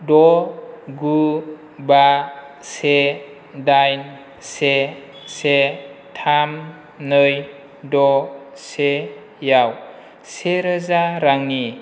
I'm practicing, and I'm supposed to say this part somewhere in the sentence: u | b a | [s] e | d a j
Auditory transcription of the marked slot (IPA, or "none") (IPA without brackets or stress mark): s